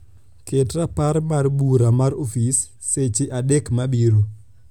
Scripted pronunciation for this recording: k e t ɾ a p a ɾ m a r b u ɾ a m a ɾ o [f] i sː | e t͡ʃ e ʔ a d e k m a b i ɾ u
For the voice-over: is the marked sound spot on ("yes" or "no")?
yes